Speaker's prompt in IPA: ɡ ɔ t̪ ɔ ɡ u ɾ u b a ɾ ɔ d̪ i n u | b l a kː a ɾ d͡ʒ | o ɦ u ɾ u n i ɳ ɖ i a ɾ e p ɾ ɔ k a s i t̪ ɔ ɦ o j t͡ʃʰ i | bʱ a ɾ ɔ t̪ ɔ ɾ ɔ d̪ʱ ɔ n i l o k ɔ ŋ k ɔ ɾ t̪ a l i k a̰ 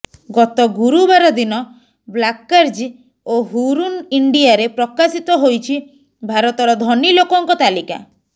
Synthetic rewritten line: ɡ ɔ t̪ ɔ ɡ u ɾ u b a ɾ ɔ d̪ i n ɔ | b l a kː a ɾ d͡ʒ | o ɦ u ɾ u n i ɳ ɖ i a ɾ e p ɾ ɔ k a s i t̪ ɔ ɦ o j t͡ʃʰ i | bʱ a ɾ ɔ t̪ ɔ ɾ ɔ d̪ʱ ɔ n i l o k ɔ ŋ k ɔ t̪ a l i k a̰

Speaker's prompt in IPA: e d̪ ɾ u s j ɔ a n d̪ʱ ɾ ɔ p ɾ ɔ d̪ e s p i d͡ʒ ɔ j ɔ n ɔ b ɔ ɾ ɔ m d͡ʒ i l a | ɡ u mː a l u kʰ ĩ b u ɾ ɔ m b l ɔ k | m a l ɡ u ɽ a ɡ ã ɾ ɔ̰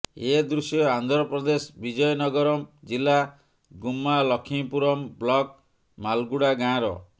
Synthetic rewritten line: e d̪ ɾ u s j ɔ a n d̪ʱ ɾ ɔ p ɾ ɔ d̪ e s b i d͡ʒ ɔ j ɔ n ɔ ɡ ɔ ɾ ɔ m d͡ʒ i l a | ɡ u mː a l ɔ kʰ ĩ p u ɾ ɔ m b l ɔ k | m a l ɡ u ɽ a ɡ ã ɾ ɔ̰

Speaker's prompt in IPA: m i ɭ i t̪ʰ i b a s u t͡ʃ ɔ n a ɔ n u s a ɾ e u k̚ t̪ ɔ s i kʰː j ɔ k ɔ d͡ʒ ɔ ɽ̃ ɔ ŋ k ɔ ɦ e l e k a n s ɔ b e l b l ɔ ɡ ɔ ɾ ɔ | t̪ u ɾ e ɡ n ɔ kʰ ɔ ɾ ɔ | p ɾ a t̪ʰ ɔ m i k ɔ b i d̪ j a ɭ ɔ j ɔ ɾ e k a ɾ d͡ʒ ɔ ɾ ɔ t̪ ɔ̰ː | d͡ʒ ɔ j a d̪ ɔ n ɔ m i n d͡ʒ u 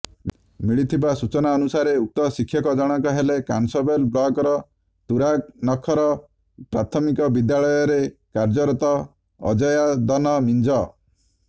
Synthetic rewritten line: m i ɭ i t̪ʰ i b a s u t͡ʃ ɔ n a ɔ n u s a ɾ e u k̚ t̪ ɔ s i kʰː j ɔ k ɔ d͡ʒ ɔ ɽ̃ ɔ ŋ k ɔ ɦ e l e k a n s ɔ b e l b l ɔ ɡ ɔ ɾ ɔ | t̪ u ɾ a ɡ n ɔ kʰ ɔ ɾ ɔ | p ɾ a t̪ʰ ɔ m i k ɔ b i d̪ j a ɭ ɔ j ɔ ɾ e k a ɾ d͡ʒ ɔ ɾ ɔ t̪ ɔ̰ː | d͡ʒ ɔ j a d̪ ɔ n ɔ m i n d͡ʒ ɔ

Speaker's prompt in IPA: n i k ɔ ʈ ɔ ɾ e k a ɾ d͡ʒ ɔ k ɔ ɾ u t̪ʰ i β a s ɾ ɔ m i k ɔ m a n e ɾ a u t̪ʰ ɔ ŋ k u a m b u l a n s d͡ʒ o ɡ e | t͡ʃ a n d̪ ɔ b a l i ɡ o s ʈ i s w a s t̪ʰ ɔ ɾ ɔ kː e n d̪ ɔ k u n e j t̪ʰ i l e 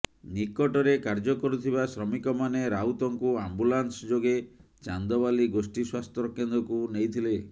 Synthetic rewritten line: n i k ɔ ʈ ɔ ɾ e k a ɾ d͡ʒ ɔ k ɔ ɾ u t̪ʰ i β a s ɾ ɔ m i k ɔ m a n e ɾ a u t̪ ɔ ŋ k u a m b u l a n s d͡ʒ o ɡ e | t͡ʃ a n d̪ ɔ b a l i ɡ o s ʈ i s w a s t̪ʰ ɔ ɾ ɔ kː e n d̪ ɔ k u n e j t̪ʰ i l e

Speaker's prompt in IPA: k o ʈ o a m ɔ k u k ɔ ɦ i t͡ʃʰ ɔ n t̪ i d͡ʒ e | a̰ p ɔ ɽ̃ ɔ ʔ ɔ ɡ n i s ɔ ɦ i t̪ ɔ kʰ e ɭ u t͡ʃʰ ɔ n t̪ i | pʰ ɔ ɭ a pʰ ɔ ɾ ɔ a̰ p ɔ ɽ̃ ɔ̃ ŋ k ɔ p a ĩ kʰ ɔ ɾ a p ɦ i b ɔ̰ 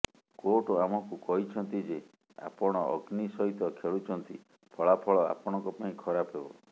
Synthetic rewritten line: k o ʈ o a m ɔ k u k ɔ ɦ i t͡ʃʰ ɔ n t̪ i d͡ʒ e | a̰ p ɔ ɽ̃ ɔ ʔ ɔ ɡ n i s ɔ ɦ i t̪ ɔ kʰ e ɭ u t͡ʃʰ ɔ n t̪ i | pʰ ɔ ɭ a pʰ ɔ ɭ ɔ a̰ p ɔ ɽ̃ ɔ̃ ŋ k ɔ p a ĩ kʰ ɔ ɾ a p ɦ e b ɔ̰

